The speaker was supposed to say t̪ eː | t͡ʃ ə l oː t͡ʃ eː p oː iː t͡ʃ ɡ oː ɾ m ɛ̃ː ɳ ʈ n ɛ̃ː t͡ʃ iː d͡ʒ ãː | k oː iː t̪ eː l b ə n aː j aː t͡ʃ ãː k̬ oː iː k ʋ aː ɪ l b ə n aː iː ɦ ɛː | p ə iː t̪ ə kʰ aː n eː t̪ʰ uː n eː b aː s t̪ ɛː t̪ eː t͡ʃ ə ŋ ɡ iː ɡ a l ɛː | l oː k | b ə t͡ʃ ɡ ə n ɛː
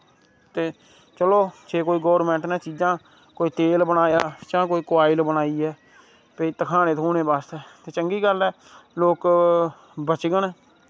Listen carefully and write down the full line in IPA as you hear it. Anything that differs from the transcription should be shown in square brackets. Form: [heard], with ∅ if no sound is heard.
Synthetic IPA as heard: t̪ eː | t͡ʃ ə l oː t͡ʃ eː [k] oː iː [∅] ɡ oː ɾ m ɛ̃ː ɳ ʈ n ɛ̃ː t͡ʃ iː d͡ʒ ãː | k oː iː t̪ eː l b ə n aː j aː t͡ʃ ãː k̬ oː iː k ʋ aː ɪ l b ə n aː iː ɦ ɛː | p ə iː t̪ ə kʰ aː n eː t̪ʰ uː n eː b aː s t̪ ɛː t̪ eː t͡ʃ ə ŋ ɡ iː ɡ [ə] l ɛː | l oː k | b ə t͡ʃ ɡ ə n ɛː